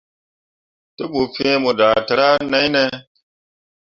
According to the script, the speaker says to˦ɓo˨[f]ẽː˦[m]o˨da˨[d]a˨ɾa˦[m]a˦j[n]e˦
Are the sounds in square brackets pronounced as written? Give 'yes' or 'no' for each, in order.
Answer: yes, yes, no, no, yes

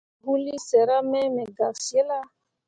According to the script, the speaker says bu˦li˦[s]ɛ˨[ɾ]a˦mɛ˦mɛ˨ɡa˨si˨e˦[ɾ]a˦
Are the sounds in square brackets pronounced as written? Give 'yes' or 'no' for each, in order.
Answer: yes, yes, no

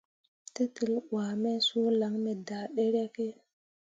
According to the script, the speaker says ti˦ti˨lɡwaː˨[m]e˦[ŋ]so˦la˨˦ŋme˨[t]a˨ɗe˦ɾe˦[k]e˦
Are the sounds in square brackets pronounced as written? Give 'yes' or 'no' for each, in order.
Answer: yes, no, no, yes

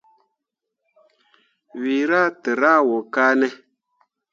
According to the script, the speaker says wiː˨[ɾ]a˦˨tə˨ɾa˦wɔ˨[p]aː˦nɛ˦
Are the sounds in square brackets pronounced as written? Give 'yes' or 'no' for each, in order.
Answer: yes, no

